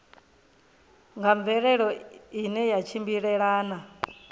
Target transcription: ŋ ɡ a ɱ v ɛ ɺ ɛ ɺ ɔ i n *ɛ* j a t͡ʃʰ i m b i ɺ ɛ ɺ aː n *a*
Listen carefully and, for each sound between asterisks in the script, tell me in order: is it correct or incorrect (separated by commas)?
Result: correct, correct